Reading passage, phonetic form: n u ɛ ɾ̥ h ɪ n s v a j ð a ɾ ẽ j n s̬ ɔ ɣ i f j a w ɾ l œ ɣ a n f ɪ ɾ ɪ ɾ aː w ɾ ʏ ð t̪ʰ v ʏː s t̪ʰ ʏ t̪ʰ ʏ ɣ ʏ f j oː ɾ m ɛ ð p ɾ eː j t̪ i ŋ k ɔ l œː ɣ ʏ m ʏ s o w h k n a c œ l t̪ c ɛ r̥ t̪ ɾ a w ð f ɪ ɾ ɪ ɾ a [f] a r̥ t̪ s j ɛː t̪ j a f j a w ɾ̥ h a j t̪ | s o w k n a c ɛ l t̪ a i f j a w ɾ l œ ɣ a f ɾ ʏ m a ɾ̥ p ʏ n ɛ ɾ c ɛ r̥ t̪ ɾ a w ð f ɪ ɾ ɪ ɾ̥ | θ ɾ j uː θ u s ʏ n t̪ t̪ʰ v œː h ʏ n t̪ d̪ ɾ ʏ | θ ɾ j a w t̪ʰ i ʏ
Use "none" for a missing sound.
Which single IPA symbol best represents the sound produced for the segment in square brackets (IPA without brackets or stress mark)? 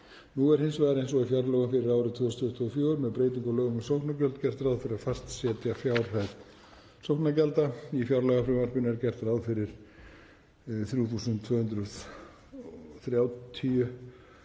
f